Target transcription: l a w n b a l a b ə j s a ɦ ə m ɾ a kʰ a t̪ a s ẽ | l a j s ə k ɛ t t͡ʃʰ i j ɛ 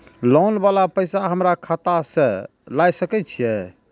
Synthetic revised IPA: l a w n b a l a p ə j s a ɦ ə m ɾ a kʰ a t̪ a s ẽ | l a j s ə k ɛ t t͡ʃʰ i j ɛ